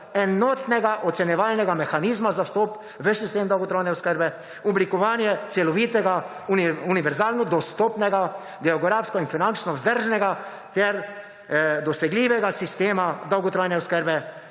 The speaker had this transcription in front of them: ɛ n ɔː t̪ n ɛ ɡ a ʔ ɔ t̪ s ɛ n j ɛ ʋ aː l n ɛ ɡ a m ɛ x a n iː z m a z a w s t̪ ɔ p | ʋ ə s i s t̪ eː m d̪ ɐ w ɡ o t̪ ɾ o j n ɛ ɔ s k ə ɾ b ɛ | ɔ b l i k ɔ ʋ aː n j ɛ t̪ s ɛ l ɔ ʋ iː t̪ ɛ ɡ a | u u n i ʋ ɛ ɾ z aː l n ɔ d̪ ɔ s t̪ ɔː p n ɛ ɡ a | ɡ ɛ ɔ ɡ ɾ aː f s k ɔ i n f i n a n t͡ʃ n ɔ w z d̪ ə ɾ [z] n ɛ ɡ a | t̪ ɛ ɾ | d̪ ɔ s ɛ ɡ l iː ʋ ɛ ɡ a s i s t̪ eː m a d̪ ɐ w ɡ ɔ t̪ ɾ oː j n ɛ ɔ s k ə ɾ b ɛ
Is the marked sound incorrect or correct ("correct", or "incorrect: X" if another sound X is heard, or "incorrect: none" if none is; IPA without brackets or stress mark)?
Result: incorrect: ʒ